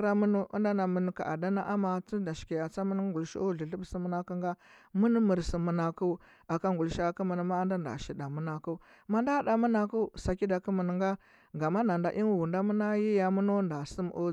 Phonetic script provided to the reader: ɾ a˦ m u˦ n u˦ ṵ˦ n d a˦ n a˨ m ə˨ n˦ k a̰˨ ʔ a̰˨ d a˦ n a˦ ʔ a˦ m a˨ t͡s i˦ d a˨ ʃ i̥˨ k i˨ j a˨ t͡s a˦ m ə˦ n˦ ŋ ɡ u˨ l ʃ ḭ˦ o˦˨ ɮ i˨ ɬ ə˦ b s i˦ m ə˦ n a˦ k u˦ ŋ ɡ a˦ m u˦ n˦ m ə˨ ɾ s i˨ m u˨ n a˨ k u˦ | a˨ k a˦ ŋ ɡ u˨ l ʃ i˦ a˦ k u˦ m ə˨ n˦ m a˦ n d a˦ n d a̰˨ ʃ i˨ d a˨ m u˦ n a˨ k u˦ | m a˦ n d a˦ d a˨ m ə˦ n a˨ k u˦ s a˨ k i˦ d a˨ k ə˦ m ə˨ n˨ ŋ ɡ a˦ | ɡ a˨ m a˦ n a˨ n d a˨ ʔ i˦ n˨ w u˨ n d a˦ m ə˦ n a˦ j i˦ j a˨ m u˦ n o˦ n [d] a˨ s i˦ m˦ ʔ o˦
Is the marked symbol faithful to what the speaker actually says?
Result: yes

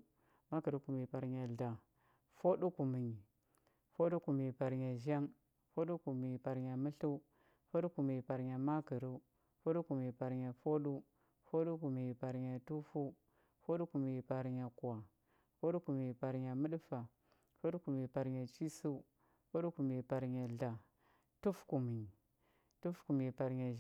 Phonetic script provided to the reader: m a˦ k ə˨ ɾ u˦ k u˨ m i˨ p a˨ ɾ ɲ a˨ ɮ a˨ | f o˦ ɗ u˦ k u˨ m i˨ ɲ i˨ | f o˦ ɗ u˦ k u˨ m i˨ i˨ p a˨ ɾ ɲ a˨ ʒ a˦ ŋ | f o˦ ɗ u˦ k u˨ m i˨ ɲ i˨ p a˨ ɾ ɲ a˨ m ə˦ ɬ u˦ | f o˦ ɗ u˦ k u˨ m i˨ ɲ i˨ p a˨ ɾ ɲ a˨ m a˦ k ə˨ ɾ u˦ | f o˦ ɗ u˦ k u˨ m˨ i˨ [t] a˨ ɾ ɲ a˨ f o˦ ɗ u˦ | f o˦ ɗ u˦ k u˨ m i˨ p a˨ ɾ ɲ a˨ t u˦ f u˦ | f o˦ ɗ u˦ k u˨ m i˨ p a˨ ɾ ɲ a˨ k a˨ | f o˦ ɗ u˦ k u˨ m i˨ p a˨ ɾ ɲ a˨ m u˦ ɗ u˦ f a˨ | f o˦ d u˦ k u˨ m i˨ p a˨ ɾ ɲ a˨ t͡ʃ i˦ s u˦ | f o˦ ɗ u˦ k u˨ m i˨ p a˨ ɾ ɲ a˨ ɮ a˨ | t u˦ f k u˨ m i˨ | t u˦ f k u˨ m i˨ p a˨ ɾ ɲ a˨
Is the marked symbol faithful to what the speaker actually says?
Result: no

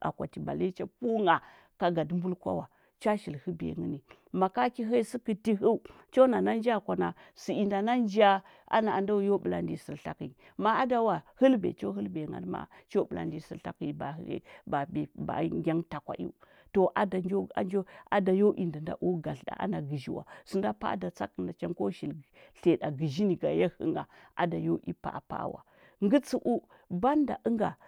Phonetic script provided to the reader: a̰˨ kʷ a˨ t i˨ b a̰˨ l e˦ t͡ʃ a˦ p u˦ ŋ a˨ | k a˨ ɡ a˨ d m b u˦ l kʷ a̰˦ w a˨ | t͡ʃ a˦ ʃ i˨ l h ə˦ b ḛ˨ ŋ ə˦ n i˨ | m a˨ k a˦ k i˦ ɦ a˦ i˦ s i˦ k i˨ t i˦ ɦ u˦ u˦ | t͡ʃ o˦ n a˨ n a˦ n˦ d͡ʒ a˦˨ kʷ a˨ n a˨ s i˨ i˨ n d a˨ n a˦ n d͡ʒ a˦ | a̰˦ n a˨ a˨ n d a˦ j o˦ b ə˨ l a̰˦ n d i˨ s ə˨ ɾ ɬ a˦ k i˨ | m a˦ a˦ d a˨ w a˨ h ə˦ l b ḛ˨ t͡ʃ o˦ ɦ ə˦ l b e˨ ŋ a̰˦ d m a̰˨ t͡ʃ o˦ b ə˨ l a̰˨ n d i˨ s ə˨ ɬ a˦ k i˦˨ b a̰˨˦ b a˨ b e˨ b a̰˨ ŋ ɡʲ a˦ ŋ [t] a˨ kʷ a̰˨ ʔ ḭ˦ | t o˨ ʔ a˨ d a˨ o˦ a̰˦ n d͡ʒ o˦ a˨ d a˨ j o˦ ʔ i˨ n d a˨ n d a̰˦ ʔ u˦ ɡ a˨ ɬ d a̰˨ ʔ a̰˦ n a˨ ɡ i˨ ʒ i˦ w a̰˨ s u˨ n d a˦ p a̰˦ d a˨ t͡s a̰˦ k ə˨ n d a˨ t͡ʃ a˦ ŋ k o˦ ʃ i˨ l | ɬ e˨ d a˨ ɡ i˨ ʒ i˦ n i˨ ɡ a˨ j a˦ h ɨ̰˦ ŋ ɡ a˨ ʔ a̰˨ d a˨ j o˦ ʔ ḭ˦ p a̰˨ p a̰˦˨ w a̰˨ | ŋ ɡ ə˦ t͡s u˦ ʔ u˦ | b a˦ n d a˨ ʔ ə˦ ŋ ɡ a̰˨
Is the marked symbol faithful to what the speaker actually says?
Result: yes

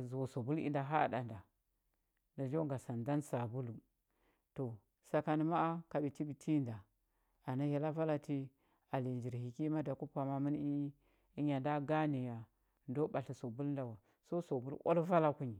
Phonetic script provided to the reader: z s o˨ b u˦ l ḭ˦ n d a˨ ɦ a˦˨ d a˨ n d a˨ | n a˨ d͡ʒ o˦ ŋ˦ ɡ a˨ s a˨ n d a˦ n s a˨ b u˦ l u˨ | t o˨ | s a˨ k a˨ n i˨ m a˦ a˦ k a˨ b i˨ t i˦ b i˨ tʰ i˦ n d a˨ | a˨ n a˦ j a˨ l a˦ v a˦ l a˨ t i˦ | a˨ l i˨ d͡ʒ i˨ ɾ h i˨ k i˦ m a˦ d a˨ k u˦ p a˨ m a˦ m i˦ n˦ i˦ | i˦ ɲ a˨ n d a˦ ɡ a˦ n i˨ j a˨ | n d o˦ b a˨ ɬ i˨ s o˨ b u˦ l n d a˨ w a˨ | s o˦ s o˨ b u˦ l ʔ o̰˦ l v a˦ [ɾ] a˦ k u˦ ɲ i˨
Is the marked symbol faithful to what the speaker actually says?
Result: no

